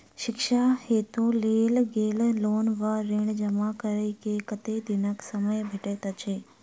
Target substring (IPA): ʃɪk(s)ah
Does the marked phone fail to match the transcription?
yes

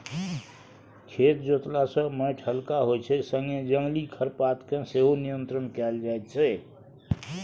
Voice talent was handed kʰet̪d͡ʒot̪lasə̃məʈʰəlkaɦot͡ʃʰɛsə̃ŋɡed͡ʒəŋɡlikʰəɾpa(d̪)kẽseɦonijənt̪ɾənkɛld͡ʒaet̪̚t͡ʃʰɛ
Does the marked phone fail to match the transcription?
yes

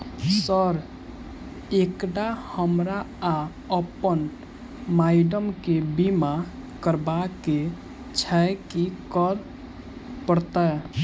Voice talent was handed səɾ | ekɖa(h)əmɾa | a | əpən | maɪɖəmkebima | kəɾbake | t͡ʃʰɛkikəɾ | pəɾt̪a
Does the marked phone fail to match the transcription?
no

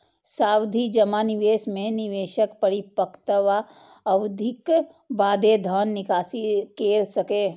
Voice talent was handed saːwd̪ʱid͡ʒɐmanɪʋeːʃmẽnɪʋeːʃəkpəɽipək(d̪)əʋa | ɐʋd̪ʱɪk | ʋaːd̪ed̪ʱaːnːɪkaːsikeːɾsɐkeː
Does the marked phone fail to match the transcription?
yes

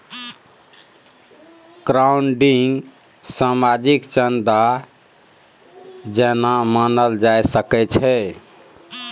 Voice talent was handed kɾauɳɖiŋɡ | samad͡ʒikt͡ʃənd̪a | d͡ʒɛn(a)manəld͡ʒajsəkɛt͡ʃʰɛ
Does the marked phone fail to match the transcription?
no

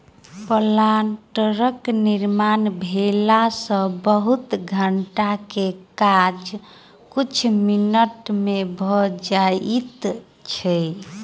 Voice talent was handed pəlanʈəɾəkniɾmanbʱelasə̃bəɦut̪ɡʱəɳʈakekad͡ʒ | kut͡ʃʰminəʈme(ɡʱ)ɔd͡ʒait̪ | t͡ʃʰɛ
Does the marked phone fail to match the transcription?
yes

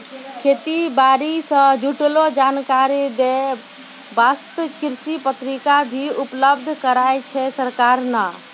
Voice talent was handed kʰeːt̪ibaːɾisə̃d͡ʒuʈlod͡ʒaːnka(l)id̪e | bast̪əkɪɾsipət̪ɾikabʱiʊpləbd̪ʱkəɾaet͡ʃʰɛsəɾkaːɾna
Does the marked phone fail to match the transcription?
yes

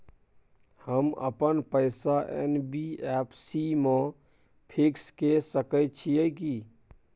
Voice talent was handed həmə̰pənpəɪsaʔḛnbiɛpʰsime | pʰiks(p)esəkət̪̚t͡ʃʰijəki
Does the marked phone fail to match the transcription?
yes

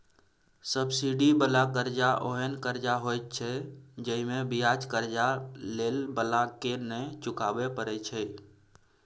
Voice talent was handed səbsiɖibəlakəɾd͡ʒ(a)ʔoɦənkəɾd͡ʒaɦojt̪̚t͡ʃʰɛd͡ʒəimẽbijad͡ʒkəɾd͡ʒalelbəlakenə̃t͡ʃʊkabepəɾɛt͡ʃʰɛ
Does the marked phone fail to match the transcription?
no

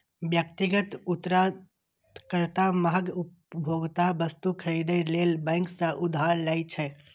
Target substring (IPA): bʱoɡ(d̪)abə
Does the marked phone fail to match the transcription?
yes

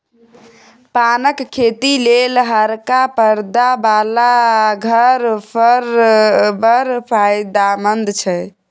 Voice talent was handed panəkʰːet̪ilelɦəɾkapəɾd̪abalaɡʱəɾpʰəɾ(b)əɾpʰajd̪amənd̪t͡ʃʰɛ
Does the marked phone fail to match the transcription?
no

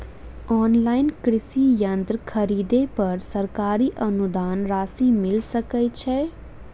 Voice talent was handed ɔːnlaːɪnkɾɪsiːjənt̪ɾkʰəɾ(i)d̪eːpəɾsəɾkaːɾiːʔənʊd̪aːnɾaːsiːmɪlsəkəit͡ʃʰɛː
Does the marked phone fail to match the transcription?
yes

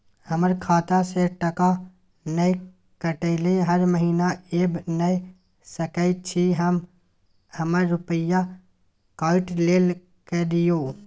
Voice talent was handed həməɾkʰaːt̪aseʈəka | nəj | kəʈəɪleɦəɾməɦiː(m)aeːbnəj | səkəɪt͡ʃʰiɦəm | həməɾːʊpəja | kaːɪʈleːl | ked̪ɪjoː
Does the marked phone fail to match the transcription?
yes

